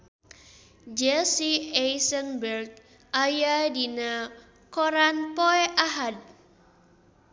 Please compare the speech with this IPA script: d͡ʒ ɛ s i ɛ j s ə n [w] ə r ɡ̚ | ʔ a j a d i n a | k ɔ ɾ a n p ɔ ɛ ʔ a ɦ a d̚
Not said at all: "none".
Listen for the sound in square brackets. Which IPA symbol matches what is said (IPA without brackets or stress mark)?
b